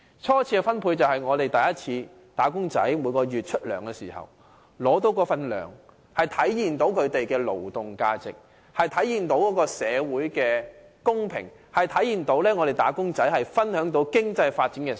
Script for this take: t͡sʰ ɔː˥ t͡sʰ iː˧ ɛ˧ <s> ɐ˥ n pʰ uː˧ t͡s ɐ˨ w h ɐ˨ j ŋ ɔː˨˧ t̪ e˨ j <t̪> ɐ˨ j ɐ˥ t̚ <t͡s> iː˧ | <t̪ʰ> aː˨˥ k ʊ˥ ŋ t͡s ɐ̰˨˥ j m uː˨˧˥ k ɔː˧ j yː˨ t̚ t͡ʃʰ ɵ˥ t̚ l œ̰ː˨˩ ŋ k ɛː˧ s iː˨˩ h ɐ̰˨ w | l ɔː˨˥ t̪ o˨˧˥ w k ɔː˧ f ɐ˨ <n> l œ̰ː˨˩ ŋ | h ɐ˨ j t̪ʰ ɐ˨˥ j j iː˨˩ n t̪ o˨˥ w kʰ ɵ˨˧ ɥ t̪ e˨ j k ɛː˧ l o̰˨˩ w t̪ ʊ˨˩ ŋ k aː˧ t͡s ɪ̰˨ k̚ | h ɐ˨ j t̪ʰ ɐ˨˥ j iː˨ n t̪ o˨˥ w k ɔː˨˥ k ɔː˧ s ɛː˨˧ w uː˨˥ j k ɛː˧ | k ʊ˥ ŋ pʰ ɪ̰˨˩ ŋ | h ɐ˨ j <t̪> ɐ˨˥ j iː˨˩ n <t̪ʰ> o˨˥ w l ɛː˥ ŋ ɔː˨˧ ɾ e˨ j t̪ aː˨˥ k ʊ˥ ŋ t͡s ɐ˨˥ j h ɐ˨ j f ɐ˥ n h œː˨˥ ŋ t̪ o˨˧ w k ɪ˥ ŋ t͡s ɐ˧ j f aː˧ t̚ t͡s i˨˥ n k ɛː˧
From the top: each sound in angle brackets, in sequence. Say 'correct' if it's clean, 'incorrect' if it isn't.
incorrect: f, correct, incorrect: t͡sʰ, incorrect: t̪, correct, incorrect: t̪ʰ, incorrect: t̪

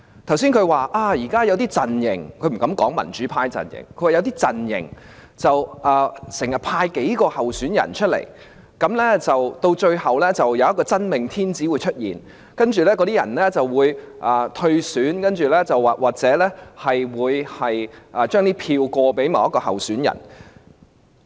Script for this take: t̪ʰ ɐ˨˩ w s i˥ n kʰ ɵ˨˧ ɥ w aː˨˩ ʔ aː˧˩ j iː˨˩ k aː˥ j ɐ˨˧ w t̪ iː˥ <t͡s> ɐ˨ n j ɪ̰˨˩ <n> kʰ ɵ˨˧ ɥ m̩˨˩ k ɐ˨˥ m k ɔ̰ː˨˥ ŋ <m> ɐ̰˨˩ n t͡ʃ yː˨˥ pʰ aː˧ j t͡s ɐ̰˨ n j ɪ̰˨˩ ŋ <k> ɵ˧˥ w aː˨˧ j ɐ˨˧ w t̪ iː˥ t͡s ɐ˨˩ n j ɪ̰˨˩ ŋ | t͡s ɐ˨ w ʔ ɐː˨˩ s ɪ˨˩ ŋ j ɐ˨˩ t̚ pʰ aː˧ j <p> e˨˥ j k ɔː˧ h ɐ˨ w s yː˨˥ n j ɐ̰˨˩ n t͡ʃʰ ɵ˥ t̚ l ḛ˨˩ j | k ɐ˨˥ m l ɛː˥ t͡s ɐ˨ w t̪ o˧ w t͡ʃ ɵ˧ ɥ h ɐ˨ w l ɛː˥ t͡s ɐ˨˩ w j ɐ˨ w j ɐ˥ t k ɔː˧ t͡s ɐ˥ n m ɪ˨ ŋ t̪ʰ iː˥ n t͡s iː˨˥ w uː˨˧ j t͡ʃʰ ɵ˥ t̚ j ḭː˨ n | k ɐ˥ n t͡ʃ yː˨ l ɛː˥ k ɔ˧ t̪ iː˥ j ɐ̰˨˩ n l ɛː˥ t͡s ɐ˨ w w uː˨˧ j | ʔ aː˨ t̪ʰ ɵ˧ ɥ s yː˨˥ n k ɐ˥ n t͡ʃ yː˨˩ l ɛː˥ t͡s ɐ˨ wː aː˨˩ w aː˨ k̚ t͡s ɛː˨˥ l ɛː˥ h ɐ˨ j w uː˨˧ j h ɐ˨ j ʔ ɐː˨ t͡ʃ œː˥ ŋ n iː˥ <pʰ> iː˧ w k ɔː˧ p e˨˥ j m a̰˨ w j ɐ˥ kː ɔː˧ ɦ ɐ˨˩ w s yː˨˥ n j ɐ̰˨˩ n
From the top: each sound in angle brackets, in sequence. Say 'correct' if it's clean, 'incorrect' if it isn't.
correct, incorrect: ŋ, correct, incorrect: kʰ, incorrect: k, correct

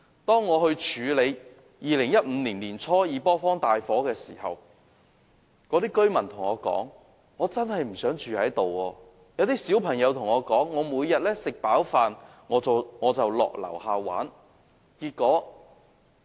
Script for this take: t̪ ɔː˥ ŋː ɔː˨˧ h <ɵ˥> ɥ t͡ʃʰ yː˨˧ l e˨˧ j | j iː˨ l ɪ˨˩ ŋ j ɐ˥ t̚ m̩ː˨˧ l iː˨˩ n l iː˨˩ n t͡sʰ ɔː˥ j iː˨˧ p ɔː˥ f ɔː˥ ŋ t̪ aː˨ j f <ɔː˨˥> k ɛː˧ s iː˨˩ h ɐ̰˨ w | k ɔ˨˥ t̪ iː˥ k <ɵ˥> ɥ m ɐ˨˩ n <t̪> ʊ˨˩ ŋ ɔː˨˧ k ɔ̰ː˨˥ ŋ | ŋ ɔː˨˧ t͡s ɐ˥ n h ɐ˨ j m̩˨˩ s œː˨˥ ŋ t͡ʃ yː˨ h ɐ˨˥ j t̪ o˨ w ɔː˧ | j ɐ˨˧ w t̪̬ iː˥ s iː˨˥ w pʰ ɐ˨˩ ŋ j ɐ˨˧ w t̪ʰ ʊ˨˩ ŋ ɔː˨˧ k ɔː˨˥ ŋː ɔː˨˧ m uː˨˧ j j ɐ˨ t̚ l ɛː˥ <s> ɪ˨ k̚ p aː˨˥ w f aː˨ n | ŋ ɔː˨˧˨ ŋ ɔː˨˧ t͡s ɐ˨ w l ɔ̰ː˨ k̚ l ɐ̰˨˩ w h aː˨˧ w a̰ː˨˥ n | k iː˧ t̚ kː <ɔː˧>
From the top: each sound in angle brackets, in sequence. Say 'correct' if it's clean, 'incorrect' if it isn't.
incorrect: ɵ˧, correct, correct, incorrect: t̪ʰ, correct, incorrect: ɔː˨˥

